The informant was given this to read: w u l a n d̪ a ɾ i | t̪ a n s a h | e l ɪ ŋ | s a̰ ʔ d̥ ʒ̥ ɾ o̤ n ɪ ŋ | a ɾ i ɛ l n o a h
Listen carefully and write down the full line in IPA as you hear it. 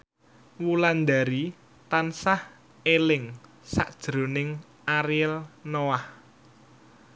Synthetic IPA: w u l a n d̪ a ɾ i | t̪ a n s a h | e l ɪ ŋ | s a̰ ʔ d̥ ʒ̥ ɾ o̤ n ɪ ŋ | a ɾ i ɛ l n o a h